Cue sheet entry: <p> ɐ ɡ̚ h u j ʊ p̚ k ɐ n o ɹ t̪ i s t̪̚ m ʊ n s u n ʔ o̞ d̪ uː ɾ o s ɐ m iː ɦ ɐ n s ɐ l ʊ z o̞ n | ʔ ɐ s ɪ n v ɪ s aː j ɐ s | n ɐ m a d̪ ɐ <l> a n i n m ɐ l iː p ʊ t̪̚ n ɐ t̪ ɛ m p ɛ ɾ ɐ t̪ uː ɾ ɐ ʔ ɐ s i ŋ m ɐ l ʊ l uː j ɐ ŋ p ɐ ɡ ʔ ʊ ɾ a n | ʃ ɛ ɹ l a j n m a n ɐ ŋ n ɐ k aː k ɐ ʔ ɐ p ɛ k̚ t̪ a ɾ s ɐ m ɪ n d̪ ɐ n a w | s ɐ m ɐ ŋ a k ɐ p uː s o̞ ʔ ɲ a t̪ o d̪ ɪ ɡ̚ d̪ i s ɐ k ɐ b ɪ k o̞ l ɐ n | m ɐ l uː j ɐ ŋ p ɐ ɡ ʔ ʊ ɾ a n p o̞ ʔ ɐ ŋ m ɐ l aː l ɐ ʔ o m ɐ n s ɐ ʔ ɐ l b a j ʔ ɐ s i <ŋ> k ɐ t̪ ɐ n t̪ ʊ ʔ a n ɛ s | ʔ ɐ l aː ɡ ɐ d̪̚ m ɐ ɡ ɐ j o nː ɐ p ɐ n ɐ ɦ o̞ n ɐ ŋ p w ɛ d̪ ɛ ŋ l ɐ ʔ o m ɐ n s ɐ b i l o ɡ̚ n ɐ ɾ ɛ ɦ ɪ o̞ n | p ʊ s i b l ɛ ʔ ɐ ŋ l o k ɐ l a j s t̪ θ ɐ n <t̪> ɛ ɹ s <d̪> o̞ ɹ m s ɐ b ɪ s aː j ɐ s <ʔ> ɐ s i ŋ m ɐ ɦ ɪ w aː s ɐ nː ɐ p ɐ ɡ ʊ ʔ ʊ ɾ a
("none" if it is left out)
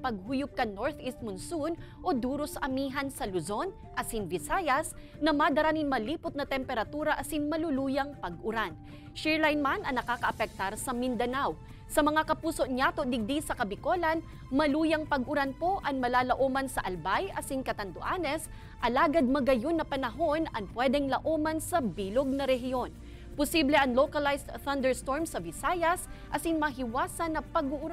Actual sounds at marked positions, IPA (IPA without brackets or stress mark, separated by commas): p, ɾ, ŋ, d̪, t̪, ʔ